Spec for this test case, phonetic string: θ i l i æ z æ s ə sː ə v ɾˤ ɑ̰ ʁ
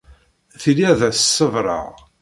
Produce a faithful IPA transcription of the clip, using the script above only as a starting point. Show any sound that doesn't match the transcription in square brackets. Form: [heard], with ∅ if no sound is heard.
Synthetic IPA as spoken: θ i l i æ [ð] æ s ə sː ə v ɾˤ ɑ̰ ʁ